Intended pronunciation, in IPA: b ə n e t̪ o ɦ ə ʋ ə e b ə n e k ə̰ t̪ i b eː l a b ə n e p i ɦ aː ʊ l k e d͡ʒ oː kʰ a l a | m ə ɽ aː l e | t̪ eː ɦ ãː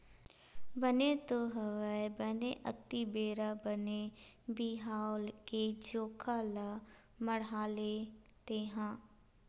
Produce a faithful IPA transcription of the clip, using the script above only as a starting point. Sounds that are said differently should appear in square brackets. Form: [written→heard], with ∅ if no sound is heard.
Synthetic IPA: b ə n e t̪ o ɦ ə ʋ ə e b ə n e [k→ʔ] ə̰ t̪ i b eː [l→ɾ] a b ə n e [p→b] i ɦ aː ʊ l k e d͡ʒ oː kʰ a l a | m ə ɽ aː l e | t̪ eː ɦ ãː